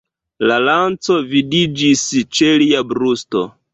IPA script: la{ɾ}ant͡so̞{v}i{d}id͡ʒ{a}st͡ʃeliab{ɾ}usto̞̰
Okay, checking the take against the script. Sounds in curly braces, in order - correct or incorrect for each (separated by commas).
incorrect, correct, correct, incorrect, correct